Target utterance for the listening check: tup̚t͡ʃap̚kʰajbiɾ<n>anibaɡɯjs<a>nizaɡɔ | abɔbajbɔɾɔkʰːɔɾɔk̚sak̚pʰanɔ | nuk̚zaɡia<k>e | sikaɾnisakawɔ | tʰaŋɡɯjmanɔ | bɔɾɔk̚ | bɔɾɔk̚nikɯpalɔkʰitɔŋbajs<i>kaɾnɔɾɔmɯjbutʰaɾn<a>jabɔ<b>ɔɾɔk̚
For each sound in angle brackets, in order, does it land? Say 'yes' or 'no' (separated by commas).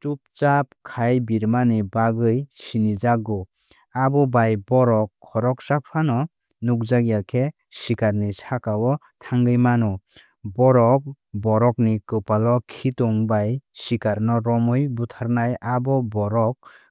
no, no, no, yes, yes, yes